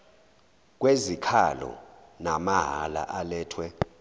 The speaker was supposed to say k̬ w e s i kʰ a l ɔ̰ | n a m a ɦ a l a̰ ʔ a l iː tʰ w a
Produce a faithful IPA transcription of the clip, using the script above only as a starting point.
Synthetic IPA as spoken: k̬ w e z i kʰ a l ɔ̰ | n a m a ɦ a l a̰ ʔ a l ɛː tʰ w ɛ